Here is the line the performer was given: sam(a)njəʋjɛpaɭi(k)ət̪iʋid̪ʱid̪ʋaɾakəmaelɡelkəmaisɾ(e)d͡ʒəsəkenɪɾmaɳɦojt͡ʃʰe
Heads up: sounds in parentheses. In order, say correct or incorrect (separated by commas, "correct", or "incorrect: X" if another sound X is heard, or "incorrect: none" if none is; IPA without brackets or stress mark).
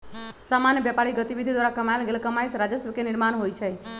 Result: correct, incorrect: ɡ, incorrect: a